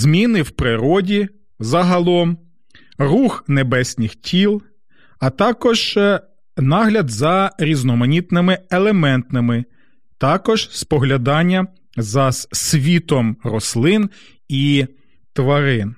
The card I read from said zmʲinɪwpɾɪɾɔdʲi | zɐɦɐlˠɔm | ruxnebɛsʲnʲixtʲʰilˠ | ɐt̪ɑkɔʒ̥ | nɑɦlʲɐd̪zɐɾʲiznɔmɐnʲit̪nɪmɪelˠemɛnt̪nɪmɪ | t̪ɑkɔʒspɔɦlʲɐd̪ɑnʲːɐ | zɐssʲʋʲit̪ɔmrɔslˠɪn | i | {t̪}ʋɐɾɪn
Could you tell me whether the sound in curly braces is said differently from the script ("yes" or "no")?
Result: no